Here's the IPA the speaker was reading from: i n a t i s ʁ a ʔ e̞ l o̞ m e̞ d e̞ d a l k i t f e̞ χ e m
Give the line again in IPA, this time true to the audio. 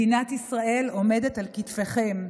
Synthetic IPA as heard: i n a t i s ʁ a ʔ e̞ l o̞ m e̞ d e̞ t a l k i t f e̞ χ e m